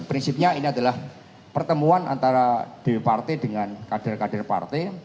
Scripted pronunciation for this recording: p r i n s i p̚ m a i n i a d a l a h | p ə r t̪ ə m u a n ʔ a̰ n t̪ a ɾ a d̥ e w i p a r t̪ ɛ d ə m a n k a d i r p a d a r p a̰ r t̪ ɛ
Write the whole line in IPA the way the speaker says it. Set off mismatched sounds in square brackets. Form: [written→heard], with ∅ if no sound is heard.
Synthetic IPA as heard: p [r→ɾ] i n s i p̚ [m→ɲ] a i n i a d a l a h | p ə r t̪ ə m u a n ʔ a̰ n t̪ a ɾ a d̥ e w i p a r t̪ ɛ d ə [m→ŋ] a n k a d [i→a] r [p→k] a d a r p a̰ r t̪ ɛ

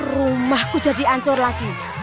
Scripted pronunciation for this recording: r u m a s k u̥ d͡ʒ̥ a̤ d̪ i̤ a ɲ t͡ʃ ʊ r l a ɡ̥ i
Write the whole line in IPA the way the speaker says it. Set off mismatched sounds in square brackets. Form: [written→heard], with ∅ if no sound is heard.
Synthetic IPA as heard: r u m a [s→h] k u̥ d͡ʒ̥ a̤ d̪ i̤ a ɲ t͡ʃ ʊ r l a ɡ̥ i

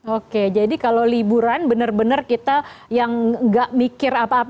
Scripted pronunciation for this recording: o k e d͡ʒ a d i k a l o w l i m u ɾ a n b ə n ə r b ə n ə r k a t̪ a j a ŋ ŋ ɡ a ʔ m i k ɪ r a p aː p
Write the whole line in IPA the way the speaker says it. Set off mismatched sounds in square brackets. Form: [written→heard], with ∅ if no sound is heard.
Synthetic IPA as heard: o k e d͡ʒ a d i k a l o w l i [m→b] u ɾ a n b ə n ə r b ə n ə r k [a→i] t̪ a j a ŋ ŋ ɡ a ʔ m i k ɪ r a p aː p

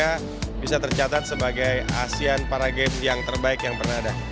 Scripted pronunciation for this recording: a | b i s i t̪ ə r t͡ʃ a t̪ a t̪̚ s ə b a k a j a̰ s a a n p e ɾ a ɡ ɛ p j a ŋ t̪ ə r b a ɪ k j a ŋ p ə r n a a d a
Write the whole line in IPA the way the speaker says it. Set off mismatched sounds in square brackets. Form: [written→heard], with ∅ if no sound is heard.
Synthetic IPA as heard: a | b i s [i→a] t̪ ə r t͡ʃ a t̪ a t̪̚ s ə b a [k→ɡ] a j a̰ s [a→i] a n p [e→a] ɾ a ɡ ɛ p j a ŋ t̪ ə r b a ɪ k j a ŋ p ə r n a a d a

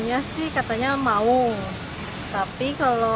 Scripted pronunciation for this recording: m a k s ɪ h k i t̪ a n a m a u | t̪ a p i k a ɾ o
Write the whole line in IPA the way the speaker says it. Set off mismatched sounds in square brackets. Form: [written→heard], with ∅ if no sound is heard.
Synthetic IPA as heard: [m→ɲ] a [k→∅] s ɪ h k [i→a] t̪ a [n→ɲ] a m a u | t̪ a p i k a [ɾ→l] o

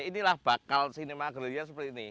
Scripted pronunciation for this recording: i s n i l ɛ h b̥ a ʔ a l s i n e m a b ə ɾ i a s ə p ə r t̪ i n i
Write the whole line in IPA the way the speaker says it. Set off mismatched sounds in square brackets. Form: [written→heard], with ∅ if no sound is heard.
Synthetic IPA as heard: i [s→∅] n i l [ɛ→a] h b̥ a [ʔ→k] a l s i n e m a [b→ɡ] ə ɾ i a s ə p ə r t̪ i n i

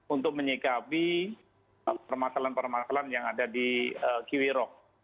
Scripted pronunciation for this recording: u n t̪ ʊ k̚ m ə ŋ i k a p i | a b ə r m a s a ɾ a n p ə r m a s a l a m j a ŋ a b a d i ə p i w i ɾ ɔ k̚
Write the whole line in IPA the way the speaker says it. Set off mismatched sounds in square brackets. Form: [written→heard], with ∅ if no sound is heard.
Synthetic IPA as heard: u n t̪ ʊ k̚ m ə [ŋ→ɲ] i k a p i | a [b→p] ə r m a s a [ɾ→l] a n p ə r m a s a l a [m→n] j a ŋ a [b→d] a d i ə [p→k] i w i ɾ ɔ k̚

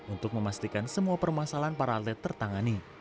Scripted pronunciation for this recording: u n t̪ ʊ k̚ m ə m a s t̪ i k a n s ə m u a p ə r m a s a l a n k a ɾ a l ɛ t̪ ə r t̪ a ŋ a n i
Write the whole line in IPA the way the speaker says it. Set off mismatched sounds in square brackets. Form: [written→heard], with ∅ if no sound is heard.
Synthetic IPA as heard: u n t̪ ʊ k̚ m ə m a s t̪ i k a n s ə m u a p ə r m a s a l a n [k→p] a ɾ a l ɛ t̪ ə r t̪ a ŋ a n i

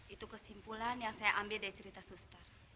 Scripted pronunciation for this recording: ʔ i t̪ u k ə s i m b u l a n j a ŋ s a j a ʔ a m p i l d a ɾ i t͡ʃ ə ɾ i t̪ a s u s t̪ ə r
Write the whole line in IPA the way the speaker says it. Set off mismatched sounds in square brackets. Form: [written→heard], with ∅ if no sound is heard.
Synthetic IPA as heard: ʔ i t̪ u k ə s i m [b→p] u l a n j a ŋ s a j a ʔ a m [p→b] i l d a ɾ i t͡ʃ ə ɾ i t̪ a s u s t̪ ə r

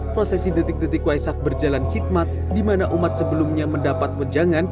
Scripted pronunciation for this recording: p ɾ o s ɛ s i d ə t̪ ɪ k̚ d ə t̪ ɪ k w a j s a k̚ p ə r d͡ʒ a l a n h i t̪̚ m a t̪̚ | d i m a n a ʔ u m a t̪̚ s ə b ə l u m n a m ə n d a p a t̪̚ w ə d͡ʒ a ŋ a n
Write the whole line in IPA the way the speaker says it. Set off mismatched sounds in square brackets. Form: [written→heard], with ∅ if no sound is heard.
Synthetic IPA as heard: p ɾ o s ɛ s i d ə t̪ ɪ k̚ d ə t̪ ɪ k w a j s a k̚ [p→b] ə r d͡ʒ a l a n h i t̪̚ m a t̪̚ | d i m a n a ʔ u m a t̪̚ s ə b ə l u m [n→ɲ] a m ə n d a p a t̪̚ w ə d͡ʒ a ŋ a n

